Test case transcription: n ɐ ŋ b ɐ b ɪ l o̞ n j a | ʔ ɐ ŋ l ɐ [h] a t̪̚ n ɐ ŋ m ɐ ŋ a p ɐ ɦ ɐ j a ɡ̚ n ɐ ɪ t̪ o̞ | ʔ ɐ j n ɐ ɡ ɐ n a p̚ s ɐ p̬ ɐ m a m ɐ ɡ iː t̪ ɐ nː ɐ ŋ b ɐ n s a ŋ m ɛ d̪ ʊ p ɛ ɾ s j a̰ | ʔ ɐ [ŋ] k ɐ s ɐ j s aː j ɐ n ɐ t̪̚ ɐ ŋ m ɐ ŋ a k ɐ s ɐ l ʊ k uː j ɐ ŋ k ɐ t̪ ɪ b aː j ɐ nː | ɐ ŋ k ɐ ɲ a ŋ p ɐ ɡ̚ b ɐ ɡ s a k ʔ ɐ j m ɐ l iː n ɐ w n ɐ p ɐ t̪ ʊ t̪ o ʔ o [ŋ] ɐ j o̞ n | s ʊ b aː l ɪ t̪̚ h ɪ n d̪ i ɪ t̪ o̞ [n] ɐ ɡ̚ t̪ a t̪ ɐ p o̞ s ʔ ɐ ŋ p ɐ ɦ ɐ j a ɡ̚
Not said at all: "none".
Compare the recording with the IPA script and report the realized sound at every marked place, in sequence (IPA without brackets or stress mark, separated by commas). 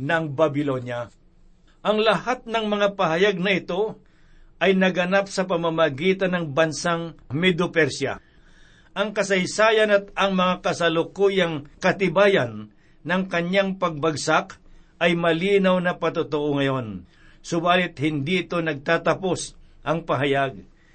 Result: h, ŋ, ŋ, n